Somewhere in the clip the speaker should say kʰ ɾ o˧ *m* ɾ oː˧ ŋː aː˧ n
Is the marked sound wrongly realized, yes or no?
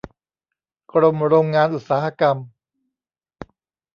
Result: no